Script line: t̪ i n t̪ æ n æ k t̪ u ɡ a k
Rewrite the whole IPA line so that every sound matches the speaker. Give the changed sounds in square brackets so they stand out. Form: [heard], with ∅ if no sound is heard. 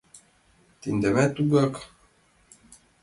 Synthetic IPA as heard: t̪ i n [d̪] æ [m] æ [∅] t̪ u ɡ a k